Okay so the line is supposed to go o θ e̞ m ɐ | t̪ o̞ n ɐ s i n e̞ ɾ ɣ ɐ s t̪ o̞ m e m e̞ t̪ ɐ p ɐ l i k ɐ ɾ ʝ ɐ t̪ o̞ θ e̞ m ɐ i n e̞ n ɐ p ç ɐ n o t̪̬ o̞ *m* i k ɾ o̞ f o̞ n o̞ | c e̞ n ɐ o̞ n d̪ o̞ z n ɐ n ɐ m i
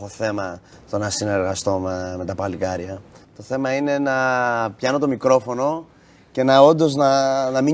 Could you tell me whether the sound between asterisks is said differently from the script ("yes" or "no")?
no